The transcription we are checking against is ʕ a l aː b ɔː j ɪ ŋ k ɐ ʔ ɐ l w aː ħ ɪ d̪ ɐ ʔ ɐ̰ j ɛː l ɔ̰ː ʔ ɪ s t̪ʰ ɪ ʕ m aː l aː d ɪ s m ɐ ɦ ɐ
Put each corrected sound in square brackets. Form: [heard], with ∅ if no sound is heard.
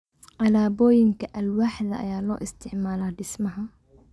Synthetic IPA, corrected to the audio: ʕ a l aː b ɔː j ɪ ŋ k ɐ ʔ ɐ l w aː ħ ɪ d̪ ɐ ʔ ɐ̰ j [aː] l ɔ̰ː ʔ ɪ s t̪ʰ ɪ ʕ m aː l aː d ɪ s m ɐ ɦ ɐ